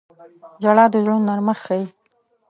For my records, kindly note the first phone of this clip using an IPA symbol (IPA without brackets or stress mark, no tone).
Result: d͡ʒ